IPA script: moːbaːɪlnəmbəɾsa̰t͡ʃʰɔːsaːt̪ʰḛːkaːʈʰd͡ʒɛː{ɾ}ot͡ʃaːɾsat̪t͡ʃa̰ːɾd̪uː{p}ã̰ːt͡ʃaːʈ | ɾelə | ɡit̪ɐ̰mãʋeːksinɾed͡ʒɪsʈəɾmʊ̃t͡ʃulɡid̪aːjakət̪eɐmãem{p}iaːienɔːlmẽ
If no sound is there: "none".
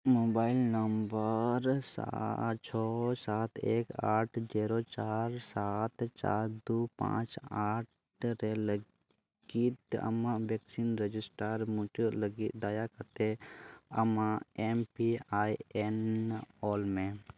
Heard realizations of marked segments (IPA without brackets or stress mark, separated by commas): ɾ, p, p